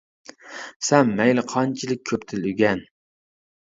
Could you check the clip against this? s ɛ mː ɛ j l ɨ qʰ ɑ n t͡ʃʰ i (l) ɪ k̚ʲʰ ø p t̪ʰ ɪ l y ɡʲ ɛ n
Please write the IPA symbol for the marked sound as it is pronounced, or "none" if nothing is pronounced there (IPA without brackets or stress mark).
l